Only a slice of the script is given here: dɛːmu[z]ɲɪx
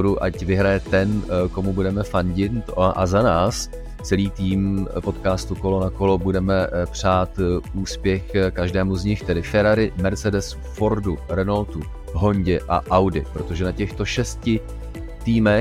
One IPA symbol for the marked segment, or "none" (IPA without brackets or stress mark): z